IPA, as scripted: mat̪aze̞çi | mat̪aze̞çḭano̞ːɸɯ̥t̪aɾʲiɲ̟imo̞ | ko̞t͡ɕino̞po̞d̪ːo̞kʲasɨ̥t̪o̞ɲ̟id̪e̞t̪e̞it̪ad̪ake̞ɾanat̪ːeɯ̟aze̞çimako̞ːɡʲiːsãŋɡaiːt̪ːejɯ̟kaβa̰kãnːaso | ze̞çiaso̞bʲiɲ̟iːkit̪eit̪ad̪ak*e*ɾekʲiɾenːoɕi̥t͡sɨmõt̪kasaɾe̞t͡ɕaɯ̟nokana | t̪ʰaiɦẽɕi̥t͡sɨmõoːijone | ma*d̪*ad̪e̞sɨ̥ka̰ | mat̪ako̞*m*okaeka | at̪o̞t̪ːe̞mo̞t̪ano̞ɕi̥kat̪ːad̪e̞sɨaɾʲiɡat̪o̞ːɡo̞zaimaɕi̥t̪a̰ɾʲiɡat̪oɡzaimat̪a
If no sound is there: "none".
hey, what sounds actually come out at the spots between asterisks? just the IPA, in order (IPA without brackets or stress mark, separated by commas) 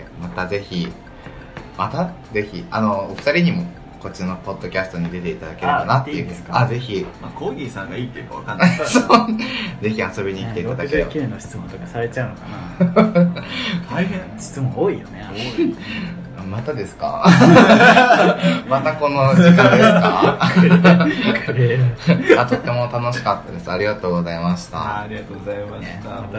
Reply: e, t̪, n